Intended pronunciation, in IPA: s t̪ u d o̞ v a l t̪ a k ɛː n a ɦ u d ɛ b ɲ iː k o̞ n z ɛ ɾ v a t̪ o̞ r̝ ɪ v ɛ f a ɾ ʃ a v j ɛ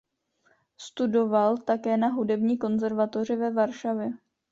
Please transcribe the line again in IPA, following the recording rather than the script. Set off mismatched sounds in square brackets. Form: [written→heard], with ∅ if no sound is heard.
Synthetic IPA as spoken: s t̪ u d o̞ v a l t̪ a k ɛː n a ɦ u d ɛ b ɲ iː k o̞ n z ɛ ɾ v a t̪ o̞ r̝ ɪ v ɛ [f→v] a ɾ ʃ a v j ɛ

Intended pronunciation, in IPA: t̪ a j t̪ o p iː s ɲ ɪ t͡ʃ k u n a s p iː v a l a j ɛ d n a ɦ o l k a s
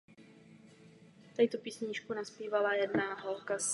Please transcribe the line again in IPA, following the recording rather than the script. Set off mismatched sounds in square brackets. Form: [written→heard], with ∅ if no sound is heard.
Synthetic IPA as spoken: t̪ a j t̪ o p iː s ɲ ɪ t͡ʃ k u n a s p iː v a l a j ɛ d n a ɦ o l k a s

